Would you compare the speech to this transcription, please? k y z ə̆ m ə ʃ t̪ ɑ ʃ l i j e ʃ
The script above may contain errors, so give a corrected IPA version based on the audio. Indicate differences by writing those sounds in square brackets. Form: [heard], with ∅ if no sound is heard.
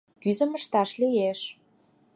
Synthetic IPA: k y z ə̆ m ə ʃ t̪ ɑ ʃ l i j e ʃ